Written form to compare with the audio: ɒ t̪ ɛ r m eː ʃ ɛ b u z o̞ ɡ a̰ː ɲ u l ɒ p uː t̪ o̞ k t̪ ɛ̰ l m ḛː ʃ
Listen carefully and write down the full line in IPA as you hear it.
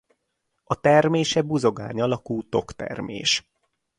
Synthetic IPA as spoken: ɒ t̪ ɛ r m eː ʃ ɛ b u z o̞ ɡ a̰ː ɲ ɒ l ɒ k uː t̪ o̞ k t̪ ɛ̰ r m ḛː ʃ